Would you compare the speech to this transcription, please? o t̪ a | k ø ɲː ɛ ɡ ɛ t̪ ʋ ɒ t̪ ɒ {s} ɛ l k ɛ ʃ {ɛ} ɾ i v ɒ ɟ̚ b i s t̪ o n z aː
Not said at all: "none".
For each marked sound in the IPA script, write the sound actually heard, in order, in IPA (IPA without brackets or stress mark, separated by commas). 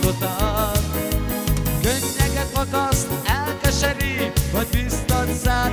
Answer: s, ɛ